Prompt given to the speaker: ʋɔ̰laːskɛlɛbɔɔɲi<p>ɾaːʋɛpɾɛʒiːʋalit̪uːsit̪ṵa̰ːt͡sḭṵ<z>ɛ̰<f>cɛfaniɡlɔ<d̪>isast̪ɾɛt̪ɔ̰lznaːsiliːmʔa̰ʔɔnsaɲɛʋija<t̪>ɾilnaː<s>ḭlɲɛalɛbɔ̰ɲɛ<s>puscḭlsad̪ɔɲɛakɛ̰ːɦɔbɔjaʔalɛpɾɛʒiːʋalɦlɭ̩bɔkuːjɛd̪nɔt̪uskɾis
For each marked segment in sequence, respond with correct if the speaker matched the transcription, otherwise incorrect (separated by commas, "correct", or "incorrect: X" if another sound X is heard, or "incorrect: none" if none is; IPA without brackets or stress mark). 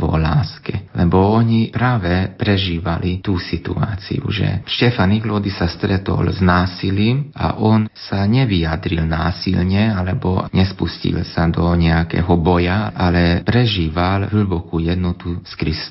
correct, incorrect: ʒ, incorrect: ʃ, correct, incorrect: d̪, correct, correct